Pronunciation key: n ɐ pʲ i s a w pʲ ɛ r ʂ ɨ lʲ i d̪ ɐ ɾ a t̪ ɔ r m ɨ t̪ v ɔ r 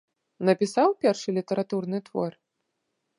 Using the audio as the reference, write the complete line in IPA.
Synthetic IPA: n ɐ pʲ i s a w pʲ ɛ r ʂ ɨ lʲ i t̪ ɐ ɾ a t̪ u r n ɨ t̪ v ɔ r